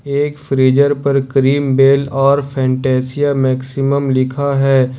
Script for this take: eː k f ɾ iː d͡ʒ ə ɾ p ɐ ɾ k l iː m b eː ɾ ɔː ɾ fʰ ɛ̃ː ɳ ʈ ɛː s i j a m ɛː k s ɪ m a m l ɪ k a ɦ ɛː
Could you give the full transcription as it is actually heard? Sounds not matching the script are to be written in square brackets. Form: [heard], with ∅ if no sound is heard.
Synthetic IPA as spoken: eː k f ɾ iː d͡ʒ ə ɾ p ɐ ɾ k [ɾ] iː m b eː [l] ɔː ɾ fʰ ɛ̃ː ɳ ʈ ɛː s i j a m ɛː k s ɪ m [ə] m l ɪ [kʰ] a ɦ ɛː